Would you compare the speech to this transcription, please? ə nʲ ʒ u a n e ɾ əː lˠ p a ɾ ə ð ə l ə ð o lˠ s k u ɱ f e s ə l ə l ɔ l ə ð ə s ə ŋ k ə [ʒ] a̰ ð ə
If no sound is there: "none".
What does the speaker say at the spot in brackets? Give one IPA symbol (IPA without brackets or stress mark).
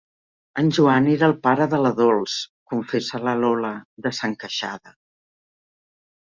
ʃ